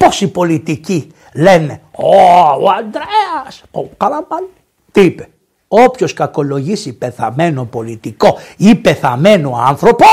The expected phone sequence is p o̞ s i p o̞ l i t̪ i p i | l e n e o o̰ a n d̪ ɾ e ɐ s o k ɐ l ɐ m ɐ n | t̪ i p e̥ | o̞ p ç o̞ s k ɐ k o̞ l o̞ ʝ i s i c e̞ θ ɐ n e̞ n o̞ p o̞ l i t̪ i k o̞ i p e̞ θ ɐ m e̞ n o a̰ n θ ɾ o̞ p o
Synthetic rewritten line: p o̞ s i p o̞ l i t̪ i c i | l e n e o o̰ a n d̪ ɾ e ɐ s o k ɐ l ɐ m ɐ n | t̪ i p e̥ | o̞ p ç o̞ s k ɐ k o̞ l o̞ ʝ i s i p e̞ θ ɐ m e̞ n o̞ p o̞ l i t̪ i k o̞ i p e̞ θ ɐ m e̞ n o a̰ n θ ɾ o̞ p o